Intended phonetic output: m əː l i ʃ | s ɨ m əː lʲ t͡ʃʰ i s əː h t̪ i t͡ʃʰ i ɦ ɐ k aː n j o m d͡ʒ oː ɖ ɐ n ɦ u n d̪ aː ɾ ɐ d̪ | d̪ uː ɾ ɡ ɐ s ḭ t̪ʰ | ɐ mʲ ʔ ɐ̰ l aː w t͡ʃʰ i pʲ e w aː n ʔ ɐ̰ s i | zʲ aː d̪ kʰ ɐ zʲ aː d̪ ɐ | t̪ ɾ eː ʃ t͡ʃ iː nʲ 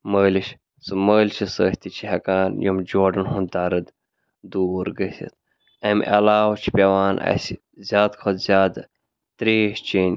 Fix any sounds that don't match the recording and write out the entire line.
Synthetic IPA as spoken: m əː l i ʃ | s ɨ m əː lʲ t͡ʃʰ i s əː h t̪ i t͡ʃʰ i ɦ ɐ k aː n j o m d͡ʒ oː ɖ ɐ n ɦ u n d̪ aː ɾ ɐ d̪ | d̪ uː ɾ ɡ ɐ s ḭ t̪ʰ | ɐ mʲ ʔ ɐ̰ l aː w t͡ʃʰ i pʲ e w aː n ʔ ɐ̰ s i | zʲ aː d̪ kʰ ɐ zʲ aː d̪ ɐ | t̪ ɾ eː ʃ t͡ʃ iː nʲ